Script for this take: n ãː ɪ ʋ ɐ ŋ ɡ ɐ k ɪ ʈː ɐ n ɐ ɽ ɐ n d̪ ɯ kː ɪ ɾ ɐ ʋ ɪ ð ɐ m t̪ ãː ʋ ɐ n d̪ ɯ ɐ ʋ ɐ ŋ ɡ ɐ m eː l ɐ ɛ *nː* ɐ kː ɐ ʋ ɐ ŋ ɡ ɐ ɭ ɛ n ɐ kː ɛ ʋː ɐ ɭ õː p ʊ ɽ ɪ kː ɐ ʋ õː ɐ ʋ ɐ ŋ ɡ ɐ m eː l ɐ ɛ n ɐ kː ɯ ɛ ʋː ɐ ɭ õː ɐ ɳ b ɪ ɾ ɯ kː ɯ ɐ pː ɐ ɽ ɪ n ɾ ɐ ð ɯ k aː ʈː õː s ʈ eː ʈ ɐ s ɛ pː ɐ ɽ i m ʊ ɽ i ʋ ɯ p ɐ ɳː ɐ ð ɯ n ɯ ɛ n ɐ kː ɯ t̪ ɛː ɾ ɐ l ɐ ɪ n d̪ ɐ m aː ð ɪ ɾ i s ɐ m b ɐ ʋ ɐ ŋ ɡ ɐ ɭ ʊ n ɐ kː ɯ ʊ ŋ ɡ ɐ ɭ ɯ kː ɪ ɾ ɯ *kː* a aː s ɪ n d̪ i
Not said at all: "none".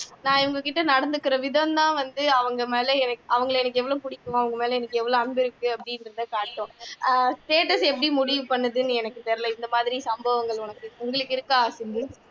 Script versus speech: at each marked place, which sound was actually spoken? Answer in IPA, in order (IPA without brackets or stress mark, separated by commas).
n, kː